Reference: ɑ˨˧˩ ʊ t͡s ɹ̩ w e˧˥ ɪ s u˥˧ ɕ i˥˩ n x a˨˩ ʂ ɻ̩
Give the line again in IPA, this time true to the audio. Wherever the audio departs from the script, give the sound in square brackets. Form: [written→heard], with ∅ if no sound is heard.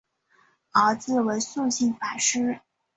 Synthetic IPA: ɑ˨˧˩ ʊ t͡s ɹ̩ w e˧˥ ɪ s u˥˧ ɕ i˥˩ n [x→f] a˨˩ ʂ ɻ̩